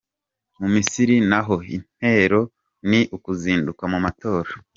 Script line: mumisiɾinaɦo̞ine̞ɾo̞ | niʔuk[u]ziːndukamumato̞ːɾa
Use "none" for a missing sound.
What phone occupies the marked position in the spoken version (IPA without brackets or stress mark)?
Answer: u